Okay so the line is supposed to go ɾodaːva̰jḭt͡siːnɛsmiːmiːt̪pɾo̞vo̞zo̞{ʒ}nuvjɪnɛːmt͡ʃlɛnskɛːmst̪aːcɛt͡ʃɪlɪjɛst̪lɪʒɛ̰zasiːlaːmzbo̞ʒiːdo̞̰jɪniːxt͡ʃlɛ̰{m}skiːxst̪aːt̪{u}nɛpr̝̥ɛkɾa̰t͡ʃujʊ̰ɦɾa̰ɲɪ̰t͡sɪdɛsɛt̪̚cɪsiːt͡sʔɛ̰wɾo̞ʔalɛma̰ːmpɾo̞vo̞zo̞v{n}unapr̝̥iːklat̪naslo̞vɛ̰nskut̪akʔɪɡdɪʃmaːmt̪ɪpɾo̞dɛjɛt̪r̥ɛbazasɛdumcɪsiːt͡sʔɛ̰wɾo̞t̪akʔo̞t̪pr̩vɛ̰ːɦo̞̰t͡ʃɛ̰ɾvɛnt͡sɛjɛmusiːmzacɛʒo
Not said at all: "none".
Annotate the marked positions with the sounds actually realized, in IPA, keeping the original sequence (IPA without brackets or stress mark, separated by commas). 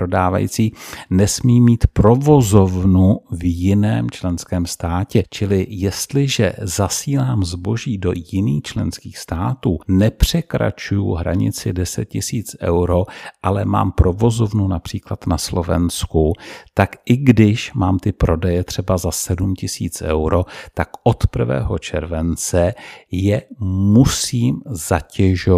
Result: v, n, uː, n